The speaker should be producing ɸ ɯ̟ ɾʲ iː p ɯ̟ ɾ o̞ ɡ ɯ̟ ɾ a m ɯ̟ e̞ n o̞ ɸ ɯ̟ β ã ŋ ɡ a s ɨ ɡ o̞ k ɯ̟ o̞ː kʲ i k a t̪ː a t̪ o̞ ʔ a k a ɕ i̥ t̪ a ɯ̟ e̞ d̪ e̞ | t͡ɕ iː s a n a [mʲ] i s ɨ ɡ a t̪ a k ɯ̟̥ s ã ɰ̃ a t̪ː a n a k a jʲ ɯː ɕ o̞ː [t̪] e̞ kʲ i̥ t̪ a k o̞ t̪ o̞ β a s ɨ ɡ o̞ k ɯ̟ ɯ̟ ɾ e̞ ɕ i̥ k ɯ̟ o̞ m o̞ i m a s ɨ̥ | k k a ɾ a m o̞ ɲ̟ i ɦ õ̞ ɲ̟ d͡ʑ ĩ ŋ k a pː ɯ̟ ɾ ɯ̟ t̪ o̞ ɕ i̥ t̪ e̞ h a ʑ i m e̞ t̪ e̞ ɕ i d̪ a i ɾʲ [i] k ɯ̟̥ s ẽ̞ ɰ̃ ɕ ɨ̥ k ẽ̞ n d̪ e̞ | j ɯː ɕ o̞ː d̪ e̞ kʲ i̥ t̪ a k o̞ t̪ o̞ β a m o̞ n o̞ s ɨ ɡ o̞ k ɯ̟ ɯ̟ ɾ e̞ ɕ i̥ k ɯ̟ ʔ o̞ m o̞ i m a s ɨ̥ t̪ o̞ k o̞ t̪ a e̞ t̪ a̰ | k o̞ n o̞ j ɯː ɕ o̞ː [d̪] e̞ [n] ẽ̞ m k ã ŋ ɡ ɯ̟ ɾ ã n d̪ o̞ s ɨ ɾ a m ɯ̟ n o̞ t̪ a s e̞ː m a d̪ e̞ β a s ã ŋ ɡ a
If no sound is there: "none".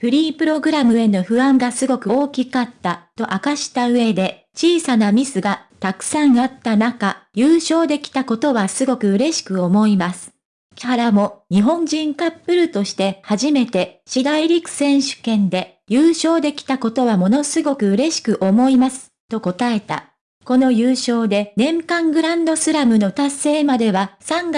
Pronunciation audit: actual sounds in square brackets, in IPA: mʲ, d̪, i, d̪, n

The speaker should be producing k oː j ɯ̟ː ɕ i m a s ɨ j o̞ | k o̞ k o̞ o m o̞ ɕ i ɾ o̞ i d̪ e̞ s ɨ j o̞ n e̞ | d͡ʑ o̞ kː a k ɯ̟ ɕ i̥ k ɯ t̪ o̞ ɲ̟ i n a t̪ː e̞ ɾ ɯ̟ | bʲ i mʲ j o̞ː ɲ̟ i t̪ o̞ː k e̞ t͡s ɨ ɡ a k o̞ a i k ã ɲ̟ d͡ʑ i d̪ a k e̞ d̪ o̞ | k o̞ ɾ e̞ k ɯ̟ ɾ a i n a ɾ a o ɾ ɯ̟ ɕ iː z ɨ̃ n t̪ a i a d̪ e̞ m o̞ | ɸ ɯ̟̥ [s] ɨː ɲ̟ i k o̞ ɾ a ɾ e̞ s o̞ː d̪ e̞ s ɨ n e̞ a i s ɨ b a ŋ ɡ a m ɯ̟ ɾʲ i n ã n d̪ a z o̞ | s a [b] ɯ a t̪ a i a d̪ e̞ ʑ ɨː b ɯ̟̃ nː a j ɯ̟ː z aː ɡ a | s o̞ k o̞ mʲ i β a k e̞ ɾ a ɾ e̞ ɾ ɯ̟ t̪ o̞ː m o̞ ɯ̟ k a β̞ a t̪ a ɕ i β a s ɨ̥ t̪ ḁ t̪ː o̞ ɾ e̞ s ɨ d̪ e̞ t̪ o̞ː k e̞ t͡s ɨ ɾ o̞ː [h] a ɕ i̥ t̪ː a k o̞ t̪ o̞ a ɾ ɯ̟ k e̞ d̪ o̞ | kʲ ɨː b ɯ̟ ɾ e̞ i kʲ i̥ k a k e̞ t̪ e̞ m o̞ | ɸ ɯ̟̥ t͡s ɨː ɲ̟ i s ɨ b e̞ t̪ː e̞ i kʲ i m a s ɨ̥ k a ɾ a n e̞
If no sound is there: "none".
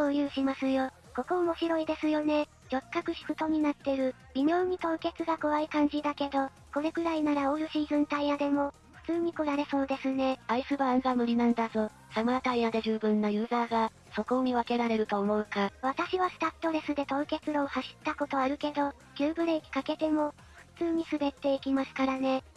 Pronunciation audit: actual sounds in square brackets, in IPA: t͡s, m, h

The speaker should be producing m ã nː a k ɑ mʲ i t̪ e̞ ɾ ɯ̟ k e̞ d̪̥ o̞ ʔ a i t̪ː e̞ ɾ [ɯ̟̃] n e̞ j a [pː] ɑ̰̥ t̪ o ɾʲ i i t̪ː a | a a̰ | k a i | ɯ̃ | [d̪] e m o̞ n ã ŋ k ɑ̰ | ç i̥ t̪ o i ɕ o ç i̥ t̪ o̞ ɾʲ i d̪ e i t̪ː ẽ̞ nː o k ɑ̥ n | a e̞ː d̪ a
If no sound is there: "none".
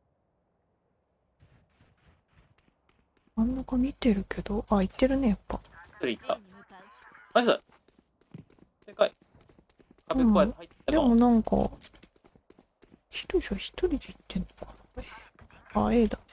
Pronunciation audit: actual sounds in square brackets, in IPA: ɯ̟, pː, d̪

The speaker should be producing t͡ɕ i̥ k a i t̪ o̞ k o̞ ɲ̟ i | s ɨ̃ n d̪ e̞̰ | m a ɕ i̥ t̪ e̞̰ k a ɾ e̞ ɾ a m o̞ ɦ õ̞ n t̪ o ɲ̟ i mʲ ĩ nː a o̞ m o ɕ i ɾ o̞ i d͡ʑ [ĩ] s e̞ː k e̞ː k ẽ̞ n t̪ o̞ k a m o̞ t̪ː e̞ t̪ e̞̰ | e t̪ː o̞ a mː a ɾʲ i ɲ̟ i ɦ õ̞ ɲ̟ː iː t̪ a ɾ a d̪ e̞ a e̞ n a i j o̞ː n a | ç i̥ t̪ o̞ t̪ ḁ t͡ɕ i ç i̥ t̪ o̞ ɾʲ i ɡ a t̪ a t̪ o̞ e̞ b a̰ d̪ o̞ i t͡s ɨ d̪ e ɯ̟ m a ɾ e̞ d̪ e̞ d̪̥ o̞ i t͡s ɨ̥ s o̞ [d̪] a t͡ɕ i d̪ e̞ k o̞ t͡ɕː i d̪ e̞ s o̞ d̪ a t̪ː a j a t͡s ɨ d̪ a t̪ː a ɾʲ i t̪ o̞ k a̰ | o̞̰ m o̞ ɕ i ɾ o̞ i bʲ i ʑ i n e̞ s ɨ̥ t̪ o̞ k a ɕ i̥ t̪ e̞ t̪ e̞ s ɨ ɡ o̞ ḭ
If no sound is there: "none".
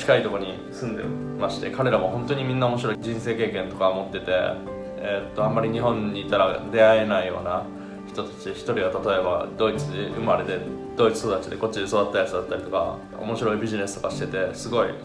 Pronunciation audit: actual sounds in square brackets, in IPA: ĩ, d̪

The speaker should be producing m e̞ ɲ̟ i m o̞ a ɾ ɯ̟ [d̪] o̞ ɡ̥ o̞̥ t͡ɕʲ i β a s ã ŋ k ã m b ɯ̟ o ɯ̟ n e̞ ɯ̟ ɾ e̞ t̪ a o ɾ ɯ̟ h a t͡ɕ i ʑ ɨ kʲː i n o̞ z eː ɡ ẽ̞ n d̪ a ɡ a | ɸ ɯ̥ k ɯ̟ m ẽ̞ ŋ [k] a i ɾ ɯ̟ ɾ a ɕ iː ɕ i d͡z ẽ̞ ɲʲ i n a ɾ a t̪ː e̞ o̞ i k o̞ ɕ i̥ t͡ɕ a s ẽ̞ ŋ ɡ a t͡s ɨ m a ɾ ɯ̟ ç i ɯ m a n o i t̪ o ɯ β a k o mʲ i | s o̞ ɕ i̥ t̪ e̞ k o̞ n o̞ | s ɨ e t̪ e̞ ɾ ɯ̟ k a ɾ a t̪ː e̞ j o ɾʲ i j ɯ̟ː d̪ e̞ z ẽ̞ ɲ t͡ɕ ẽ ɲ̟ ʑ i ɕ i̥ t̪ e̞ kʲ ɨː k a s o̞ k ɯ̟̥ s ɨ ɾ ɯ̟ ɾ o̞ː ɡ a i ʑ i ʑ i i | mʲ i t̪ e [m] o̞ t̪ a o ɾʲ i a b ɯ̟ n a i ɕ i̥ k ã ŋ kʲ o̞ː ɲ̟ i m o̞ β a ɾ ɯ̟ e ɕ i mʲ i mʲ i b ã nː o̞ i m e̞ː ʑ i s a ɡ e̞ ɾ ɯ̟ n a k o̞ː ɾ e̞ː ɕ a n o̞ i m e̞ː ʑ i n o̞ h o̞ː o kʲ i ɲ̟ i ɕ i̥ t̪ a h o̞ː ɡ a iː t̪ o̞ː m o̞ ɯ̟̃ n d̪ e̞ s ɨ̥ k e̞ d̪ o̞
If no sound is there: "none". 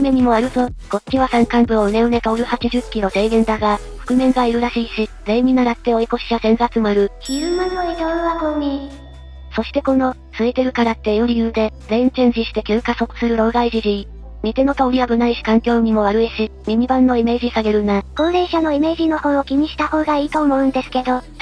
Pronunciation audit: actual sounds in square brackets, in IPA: t̪, ɡ, n

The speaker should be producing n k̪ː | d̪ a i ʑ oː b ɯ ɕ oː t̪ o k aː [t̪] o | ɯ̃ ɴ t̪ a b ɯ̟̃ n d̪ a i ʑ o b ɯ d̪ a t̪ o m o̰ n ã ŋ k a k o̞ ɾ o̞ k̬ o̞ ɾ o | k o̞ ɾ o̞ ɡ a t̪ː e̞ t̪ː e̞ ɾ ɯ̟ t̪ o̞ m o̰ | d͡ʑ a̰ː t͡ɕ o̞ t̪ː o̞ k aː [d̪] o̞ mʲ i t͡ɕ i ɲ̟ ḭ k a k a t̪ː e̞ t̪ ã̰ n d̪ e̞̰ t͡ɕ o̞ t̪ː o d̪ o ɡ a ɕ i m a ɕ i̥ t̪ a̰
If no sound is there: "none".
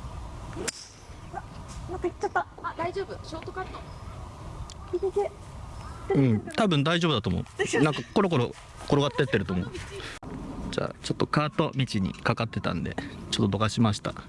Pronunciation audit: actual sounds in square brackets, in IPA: t̪, t̪

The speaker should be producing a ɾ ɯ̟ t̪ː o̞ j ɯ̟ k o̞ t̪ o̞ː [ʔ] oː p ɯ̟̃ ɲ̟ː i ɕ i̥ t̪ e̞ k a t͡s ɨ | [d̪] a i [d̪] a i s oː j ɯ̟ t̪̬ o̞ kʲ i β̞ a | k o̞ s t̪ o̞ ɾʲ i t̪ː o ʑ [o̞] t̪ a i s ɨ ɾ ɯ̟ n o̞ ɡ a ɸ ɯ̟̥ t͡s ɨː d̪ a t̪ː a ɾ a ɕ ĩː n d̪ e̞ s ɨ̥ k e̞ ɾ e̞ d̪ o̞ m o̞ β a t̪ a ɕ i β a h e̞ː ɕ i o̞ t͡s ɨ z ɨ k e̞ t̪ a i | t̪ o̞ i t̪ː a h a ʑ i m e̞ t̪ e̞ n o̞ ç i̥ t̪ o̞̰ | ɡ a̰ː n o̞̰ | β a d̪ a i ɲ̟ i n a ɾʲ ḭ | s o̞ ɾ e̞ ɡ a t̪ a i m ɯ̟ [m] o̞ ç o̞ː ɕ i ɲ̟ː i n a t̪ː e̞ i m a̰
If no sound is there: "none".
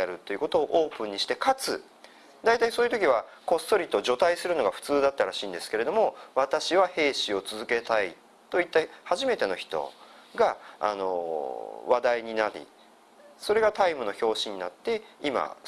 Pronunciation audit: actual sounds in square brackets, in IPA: ʔ, d̪, t̪, o̞, n

